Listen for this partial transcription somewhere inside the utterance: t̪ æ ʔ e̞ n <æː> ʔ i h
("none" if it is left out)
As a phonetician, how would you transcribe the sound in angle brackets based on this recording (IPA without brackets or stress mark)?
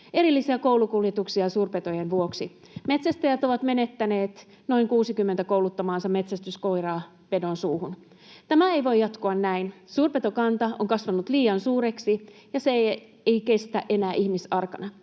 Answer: æː